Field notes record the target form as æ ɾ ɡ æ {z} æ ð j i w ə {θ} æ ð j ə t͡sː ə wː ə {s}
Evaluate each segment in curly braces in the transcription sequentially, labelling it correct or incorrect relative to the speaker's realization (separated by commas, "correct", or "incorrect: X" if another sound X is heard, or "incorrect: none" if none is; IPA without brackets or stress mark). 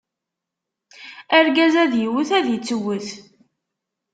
correct, correct, incorrect: θ